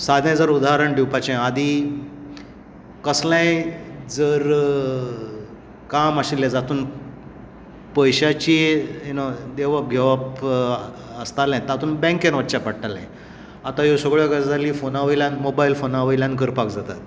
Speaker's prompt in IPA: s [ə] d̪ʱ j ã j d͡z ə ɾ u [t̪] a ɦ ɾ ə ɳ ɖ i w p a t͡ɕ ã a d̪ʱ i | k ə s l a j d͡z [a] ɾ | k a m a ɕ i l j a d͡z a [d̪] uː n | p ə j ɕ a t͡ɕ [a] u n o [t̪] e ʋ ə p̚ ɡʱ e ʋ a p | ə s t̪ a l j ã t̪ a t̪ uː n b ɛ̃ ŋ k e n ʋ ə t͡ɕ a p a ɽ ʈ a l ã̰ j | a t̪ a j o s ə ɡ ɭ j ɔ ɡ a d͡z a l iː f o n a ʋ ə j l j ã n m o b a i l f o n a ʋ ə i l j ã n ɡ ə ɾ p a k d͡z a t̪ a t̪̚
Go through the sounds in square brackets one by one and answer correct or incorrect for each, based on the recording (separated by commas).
incorrect, incorrect, incorrect, incorrect, incorrect, incorrect